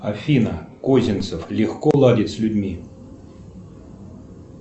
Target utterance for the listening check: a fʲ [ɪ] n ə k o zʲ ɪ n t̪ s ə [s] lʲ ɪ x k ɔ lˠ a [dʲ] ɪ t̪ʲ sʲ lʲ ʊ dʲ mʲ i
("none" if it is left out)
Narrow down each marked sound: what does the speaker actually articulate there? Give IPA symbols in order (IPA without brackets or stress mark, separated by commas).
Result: i, f, dʲ